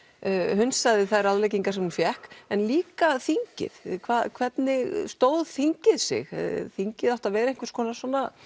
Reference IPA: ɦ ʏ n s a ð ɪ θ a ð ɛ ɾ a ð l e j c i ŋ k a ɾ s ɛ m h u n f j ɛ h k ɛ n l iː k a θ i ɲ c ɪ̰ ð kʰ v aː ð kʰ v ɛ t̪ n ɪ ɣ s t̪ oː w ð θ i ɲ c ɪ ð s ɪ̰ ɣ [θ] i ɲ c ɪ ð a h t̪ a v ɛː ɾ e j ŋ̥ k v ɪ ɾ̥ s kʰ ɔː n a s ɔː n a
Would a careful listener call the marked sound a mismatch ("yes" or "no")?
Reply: no